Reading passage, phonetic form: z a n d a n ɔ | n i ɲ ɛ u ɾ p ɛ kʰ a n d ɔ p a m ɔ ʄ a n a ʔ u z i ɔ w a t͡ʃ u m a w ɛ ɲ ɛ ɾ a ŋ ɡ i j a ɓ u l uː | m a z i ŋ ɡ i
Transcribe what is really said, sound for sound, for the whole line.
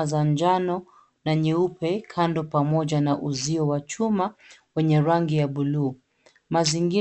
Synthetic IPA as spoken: z a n d͡ʒ a n ɔ | n a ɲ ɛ u p ɛ kʰ a n d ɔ p a m ɔ ʄ a n a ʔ u z i ɔ w a t͡ʃ u m a w ɛ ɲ ɛ ɾ a ŋ ɡ i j a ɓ u l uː | m a z i ŋ ɡ i